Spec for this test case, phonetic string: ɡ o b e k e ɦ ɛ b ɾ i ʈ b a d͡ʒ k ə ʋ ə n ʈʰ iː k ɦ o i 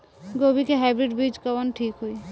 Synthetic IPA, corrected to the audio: ɡ o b i k e ɦ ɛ b ɾ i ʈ b i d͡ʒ k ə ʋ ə n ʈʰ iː k ɦ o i